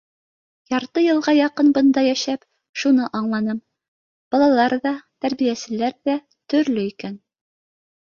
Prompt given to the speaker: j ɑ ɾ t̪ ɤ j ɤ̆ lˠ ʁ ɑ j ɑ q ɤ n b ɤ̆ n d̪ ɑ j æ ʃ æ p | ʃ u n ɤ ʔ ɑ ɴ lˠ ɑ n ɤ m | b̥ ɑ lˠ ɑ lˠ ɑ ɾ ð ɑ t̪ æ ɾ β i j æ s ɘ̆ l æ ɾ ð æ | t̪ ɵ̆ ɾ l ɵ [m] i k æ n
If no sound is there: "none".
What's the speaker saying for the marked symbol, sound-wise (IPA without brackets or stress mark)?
none